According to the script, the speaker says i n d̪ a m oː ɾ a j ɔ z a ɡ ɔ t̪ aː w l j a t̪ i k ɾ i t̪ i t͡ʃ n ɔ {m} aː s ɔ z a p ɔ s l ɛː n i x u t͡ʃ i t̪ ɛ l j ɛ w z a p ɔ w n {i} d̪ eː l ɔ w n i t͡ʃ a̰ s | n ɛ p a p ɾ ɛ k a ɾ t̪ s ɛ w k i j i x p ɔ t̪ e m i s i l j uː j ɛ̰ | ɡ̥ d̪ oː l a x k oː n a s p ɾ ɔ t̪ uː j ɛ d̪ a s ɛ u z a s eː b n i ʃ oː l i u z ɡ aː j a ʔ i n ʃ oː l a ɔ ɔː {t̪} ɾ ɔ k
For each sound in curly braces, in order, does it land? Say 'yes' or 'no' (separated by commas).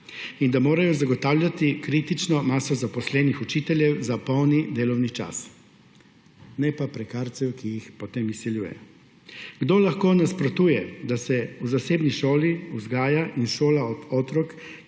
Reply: yes, yes, yes